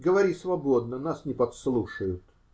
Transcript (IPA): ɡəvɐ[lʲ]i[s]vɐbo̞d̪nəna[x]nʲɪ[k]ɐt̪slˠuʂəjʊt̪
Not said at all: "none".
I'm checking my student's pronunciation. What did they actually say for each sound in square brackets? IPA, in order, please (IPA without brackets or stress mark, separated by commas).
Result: ɾʲ, s, s, p